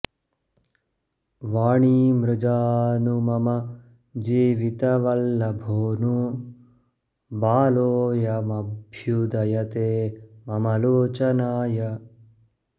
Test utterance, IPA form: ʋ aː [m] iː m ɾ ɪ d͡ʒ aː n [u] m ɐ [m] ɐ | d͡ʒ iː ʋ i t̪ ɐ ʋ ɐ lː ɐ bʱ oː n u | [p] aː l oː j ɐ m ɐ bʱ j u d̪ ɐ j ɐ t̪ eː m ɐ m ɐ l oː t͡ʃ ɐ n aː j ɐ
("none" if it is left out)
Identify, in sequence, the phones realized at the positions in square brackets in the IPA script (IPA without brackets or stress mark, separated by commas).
ɳ, u, m, b